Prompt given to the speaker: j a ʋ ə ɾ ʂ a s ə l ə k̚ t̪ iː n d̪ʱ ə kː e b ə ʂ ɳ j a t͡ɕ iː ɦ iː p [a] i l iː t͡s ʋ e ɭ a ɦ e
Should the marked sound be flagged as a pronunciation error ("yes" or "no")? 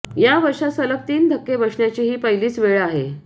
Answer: yes